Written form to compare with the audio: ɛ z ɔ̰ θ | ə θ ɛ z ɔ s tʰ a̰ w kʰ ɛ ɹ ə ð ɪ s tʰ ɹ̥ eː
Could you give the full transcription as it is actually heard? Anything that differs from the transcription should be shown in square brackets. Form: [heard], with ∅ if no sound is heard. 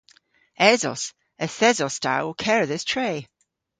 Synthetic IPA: ɛ z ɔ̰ [s] | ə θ ɛ z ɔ s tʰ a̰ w kʰ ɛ ɹ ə ð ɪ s tʰ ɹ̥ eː